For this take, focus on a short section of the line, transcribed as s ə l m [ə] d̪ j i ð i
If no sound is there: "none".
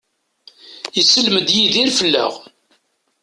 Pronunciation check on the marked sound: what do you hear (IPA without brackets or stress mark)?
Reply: ə